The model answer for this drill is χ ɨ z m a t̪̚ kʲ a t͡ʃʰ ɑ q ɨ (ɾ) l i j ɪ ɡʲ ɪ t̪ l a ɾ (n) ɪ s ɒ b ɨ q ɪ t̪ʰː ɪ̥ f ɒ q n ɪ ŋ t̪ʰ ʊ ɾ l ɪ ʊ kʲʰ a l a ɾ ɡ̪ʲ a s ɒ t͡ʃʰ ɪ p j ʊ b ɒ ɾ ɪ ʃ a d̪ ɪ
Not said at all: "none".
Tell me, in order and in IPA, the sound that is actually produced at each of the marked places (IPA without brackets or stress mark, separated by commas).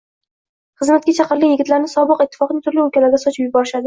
ɾ, n